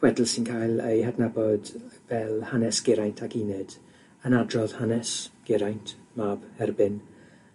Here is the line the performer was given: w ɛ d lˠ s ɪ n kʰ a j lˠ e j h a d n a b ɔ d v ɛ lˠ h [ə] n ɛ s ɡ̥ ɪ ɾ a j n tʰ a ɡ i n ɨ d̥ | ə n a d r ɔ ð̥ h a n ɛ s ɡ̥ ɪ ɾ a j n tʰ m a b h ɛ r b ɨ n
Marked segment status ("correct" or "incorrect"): incorrect